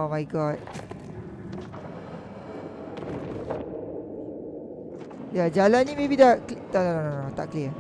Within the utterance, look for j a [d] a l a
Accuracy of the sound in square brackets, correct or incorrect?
incorrect